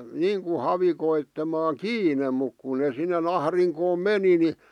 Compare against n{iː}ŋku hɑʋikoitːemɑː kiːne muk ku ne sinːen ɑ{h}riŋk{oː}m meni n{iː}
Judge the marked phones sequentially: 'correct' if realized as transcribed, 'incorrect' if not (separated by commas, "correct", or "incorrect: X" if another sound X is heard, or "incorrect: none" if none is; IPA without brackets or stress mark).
correct, correct, correct, incorrect: i